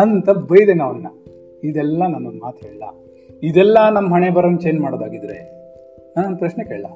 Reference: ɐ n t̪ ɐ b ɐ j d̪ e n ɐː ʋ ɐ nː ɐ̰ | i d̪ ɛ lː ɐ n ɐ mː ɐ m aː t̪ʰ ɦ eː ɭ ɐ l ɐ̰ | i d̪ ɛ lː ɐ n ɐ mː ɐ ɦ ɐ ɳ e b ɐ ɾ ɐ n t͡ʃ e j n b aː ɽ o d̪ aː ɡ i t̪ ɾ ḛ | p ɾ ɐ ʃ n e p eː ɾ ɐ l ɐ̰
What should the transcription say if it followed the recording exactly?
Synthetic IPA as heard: ɐ n t̪ ɐ b ɐ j d̪ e n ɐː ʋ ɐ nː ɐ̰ | i d̪ ɛ lː ɐ n ɐ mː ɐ m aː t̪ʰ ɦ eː ɭ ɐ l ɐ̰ | i d̪ ɛ lː ɐ n ɐ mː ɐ ɦ ɐ ɳ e b ɐ ɾ ɐ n t͡ʃ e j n m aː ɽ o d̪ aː ɡ i d̪ ɾ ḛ | p ɾ ɐ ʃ n e k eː ɭ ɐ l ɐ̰